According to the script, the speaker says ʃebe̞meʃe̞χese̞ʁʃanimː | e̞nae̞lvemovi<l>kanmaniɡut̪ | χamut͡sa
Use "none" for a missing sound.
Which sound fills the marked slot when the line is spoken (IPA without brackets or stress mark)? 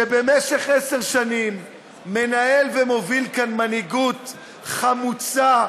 l